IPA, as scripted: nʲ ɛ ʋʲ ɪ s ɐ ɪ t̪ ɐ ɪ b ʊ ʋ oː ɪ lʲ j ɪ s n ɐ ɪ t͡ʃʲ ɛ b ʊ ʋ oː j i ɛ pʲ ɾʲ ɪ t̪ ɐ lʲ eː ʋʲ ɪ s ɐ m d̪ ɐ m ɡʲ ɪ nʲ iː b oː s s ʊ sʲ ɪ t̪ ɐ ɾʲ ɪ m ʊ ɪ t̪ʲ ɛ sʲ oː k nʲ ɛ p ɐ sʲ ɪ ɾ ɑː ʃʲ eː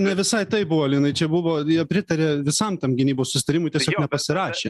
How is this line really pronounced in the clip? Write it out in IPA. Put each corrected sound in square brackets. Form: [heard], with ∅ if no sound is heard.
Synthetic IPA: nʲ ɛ ʋʲ ɪ s ɐ ɪ t̪ ɐ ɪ b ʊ ʋ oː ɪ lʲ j ɪ [∅] n ɐ ɪ t͡ʃʲ ɛ b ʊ ʋ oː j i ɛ pʲ ɾʲ ɪ t̪ ɐ [ɾʲ] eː ʋʲ ɪ s ɐ m [t̪] ɐ m ɡʲ ɪ nʲ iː b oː s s ʊ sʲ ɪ t̪ ɐ ɾʲ ɪ m ʊ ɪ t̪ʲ ɛ sʲ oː k nʲ ɛ p ɐ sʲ ɪ ɾ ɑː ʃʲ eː